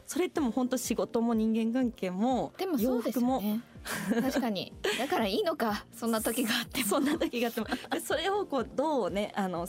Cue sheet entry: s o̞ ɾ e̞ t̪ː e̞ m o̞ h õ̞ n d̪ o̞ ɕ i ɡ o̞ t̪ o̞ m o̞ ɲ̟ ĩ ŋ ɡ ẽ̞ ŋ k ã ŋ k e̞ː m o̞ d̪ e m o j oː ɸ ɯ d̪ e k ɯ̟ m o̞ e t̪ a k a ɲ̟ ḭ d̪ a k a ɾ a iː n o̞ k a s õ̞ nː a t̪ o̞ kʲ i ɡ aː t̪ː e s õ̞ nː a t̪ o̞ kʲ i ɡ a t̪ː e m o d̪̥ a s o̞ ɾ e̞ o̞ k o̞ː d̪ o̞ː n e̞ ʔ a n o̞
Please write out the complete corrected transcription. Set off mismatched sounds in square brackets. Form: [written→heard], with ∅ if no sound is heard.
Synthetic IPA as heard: s o̞ ɾ e̞ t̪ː e̞ m o̞ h õ̞ n [d̪→t̪] o̞ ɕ i ɡ o̞ t̪ o̞ m o̞ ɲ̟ ĩ ŋ ɡ ẽ̞ ŋ k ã ŋ k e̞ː m o̞ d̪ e m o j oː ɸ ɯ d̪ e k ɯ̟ m o̞ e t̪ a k a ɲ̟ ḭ d̪ a k a ɾ a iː n o̞ k a s õ̞ nː a t̪ o̞ kʲ i ɡ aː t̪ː e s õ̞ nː a t̪ o̞ kʲ i ɡ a t̪ː e m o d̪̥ [a→e] s o̞ ɾ e̞ o̞ k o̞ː d̪ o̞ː n e̞ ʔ a n o̞